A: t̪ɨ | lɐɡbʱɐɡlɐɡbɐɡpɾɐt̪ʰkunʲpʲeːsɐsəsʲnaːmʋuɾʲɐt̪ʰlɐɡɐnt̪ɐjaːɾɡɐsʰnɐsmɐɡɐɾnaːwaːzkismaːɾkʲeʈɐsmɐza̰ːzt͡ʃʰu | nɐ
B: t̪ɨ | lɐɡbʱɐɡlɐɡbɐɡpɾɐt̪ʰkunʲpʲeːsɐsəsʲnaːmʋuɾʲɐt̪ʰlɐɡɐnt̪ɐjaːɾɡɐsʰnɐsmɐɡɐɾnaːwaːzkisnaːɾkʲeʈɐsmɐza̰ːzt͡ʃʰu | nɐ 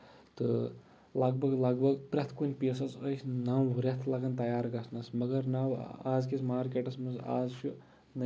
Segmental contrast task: A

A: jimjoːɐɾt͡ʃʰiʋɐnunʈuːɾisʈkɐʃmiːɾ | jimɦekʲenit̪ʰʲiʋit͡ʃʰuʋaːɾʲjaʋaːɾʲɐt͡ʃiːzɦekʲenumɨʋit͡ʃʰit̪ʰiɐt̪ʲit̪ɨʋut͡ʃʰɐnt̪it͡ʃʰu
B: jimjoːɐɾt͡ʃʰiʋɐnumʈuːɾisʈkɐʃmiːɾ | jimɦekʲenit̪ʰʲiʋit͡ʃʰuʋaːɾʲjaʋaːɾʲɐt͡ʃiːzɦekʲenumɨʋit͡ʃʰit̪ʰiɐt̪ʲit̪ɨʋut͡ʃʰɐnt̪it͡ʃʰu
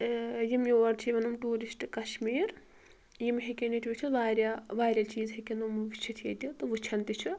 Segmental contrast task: B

